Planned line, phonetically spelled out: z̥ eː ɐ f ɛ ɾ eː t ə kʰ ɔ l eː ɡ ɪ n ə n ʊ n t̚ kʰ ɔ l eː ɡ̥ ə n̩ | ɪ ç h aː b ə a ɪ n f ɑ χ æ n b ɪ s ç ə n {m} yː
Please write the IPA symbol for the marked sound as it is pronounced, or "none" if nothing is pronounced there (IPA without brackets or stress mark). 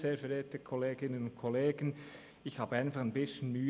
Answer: m